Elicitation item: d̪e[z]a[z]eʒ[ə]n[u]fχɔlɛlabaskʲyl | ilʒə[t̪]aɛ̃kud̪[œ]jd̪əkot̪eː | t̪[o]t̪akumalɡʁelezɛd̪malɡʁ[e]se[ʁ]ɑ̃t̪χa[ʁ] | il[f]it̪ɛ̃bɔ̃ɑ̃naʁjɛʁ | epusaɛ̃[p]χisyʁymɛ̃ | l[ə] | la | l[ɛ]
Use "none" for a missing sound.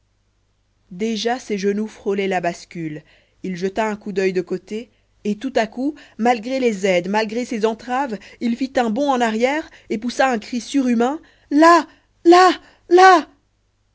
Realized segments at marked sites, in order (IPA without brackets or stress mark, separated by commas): ʒ, s, ə, u, t̪, œ, u, e, z, v, f, k, a, a